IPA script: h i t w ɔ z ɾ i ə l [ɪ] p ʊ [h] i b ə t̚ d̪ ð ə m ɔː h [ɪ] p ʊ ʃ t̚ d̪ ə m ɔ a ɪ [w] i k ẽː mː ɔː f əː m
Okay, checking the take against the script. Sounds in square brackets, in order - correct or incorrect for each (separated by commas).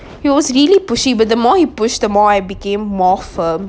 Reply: incorrect, incorrect, incorrect, incorrect